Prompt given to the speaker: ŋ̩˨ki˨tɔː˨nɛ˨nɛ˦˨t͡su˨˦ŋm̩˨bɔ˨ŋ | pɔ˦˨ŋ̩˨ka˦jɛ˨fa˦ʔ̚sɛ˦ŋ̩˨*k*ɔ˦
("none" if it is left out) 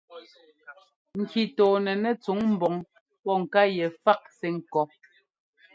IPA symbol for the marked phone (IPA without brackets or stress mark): k